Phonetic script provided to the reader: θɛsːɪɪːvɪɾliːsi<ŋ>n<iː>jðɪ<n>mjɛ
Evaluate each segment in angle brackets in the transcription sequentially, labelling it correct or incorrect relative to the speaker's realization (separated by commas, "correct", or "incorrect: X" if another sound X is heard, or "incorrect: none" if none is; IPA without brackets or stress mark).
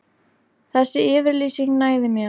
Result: correct, incorrect: aː, incorrect: none